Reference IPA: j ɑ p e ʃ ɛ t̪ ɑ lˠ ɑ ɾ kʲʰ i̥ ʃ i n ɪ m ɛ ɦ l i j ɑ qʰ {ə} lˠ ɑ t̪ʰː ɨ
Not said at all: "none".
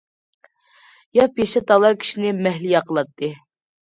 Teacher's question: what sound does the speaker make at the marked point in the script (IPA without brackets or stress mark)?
ə